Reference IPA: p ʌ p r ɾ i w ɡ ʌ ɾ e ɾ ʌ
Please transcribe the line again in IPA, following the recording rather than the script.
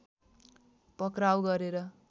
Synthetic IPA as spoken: p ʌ k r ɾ a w ɡ ʌ ɾ e ɾ ʌ